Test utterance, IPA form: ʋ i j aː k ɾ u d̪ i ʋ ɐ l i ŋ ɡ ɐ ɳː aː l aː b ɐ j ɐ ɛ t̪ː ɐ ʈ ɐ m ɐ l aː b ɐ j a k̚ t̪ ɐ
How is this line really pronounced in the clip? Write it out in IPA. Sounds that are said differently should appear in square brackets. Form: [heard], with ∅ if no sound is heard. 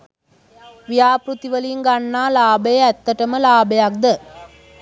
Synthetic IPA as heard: ʋ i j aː [p] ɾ u [t̪] i ʋ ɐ l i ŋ ɡ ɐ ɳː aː l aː b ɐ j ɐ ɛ t̪ː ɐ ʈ ɐ m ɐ l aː b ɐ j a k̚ [d̪] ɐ